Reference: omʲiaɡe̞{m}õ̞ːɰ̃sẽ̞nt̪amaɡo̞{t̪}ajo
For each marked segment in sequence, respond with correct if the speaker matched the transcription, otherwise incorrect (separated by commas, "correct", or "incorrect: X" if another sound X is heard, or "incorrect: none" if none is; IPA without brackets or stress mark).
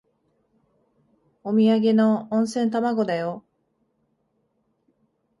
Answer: incorrect: n, incorrect: d̪